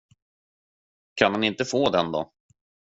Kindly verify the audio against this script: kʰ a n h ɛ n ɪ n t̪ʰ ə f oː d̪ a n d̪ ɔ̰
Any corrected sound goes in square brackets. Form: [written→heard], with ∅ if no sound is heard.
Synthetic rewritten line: kʰ a n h [ɛ→a] n ɪ n [t̪ʰ→t̪] ə f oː d̪ [a→ɛ] n d̪ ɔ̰